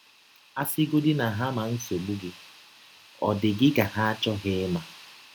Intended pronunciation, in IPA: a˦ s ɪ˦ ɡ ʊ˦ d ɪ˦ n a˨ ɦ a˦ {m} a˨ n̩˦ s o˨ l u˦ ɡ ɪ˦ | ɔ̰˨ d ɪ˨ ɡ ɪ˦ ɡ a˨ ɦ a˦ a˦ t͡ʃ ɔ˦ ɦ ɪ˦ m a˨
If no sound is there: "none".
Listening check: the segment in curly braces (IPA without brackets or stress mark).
m